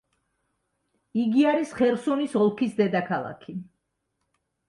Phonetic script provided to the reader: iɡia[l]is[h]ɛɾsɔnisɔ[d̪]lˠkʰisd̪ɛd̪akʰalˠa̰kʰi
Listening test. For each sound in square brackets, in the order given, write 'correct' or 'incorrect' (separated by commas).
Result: incorrect, incorrect, incorrect